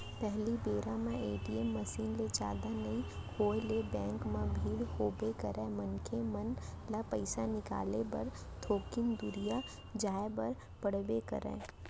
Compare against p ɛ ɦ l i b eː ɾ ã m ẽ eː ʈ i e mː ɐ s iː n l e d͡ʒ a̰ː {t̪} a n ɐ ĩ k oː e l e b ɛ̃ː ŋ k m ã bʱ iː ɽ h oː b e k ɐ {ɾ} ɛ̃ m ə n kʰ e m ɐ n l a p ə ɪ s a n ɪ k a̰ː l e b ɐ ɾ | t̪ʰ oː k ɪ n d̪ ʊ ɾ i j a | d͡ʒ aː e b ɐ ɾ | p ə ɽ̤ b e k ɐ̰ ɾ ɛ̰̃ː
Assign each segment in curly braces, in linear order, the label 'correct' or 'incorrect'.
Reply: incorrect: d̪, correct

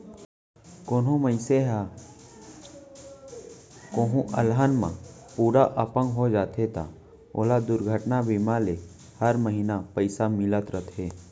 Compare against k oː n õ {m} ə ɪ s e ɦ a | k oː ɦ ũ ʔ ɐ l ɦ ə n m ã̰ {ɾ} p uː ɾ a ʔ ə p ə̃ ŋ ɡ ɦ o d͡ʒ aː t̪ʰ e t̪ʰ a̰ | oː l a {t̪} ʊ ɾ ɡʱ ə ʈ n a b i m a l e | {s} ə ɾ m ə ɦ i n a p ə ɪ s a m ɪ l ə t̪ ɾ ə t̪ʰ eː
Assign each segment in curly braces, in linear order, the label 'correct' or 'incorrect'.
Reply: correct, incorrect: none, incorrect: d̪, incorrect: h

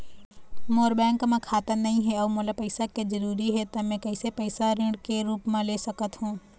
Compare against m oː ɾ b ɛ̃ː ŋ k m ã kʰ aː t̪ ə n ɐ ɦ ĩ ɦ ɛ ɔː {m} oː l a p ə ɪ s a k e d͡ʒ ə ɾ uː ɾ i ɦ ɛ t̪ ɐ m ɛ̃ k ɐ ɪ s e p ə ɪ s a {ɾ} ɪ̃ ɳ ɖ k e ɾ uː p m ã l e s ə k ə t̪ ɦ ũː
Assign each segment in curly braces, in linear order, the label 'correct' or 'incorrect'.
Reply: correct, correct

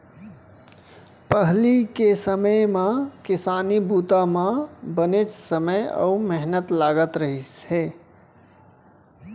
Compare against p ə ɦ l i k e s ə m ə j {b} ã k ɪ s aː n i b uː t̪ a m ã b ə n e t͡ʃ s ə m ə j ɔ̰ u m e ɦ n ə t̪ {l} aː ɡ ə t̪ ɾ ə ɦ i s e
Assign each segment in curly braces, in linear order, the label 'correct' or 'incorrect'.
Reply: incorrect: m, correct

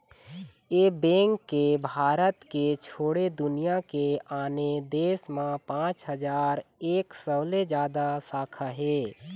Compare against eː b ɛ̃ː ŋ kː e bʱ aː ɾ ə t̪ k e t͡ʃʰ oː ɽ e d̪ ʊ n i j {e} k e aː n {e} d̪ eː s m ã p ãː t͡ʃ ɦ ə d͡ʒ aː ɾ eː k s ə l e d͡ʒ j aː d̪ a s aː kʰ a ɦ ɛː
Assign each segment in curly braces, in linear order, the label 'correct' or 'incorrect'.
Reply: incorrect: a, correct

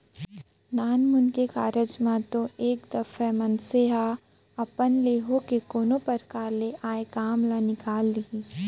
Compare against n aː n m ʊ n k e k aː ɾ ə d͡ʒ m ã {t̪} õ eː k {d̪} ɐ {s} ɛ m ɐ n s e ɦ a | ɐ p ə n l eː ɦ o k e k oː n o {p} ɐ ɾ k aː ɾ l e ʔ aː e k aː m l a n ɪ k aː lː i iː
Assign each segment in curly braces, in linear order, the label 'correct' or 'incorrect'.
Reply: correct, correct, incorrect: f, correct

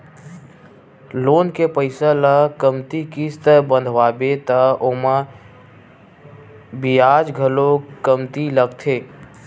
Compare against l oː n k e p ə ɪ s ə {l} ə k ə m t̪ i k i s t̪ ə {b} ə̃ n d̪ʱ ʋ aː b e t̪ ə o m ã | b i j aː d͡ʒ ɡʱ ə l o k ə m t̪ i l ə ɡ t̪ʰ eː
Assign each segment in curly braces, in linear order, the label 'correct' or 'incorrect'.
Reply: correct, correct

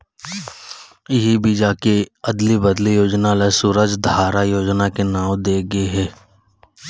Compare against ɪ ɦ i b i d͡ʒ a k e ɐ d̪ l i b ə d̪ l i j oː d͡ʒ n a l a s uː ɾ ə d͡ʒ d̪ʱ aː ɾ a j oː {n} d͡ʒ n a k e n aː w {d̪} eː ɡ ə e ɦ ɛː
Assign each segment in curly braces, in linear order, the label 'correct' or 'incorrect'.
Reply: incorrect: none, correct

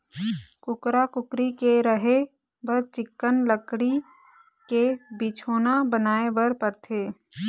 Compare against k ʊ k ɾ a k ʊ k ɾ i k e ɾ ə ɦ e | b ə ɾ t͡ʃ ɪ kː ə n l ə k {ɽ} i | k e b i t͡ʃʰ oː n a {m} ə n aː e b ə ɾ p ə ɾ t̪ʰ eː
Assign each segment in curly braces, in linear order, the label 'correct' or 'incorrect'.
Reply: correct, incorrect: b

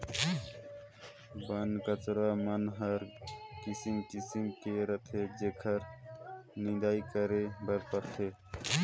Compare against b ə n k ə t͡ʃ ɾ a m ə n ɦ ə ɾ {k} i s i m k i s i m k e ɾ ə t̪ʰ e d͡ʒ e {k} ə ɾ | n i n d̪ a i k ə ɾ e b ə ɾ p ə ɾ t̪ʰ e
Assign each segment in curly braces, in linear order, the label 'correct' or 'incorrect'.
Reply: correct, incorrect: kʰ

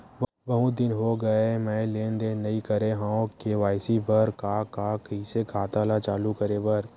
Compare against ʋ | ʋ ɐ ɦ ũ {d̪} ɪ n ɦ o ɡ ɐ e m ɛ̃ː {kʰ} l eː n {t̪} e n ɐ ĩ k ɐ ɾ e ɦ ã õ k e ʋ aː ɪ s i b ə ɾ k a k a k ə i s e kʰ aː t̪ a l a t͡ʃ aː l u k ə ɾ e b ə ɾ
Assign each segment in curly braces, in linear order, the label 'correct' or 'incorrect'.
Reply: correct, incorrect: none, incorrect: d̪

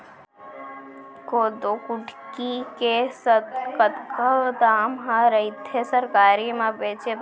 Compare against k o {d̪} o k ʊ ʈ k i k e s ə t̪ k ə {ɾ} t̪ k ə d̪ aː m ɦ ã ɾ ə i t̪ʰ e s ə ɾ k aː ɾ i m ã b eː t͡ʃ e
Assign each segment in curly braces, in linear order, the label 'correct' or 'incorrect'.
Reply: correct, incorrect: none

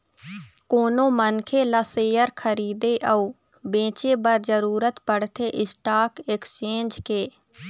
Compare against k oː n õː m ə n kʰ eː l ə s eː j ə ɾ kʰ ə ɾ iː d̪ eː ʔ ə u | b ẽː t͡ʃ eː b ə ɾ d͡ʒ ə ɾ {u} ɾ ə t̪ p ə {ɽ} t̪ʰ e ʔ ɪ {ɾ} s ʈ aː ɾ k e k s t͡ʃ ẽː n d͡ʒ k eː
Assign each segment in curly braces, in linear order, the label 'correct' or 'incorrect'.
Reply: incorrect: uː, correct, incorrect: none

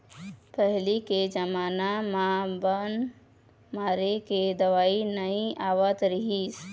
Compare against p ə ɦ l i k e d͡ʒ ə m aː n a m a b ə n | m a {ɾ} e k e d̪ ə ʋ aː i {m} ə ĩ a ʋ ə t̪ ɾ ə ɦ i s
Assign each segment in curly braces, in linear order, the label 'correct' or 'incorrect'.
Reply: correct, incorrect: n

